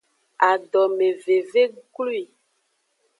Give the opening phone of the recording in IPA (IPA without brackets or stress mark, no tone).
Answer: a